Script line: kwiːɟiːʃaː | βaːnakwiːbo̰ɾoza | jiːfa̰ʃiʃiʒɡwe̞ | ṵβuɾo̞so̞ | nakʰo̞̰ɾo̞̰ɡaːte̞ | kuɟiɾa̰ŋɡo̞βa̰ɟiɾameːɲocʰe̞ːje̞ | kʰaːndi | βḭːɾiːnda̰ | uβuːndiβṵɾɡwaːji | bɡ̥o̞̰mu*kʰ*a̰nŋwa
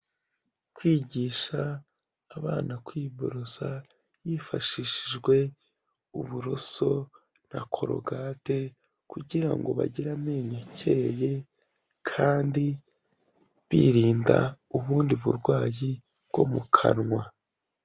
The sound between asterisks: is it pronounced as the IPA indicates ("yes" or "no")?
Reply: yes